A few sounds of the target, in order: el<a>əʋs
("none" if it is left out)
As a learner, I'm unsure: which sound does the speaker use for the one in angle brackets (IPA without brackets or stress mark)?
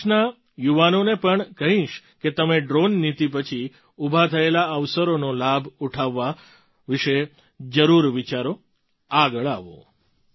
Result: a